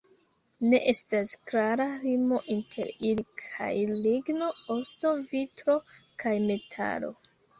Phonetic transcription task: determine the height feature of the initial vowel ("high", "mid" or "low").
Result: mid